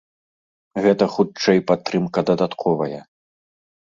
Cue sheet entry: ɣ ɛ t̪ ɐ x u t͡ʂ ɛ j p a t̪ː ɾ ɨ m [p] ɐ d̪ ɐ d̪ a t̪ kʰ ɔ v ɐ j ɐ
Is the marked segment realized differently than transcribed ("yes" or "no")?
yes